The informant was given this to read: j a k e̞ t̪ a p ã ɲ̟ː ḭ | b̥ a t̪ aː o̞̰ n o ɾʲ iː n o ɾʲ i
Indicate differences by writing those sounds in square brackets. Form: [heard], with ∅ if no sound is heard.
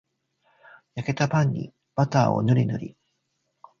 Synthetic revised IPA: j a k e̞ t̪ a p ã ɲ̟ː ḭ | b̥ a t̪ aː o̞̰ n o ɾʲ [i] n o ɾʲ i